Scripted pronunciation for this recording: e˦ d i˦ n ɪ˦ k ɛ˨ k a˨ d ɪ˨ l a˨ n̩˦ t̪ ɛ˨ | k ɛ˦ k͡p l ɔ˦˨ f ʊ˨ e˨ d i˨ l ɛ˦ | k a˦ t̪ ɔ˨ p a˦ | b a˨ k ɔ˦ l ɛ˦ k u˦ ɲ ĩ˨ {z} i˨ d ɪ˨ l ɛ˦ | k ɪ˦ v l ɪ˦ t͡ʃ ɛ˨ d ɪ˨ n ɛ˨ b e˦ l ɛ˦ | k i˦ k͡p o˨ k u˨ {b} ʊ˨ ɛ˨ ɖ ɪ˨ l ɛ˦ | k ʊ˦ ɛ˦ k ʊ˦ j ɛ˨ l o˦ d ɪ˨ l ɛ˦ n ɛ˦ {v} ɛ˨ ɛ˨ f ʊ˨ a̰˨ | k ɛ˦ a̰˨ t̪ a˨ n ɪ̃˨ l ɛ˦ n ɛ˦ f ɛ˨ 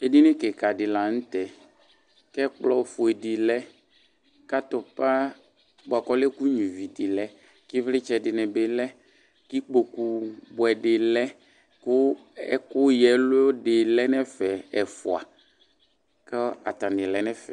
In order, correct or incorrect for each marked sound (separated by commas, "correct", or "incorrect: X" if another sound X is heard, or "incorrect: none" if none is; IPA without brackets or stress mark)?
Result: incorrect: v, correct, incorrect: f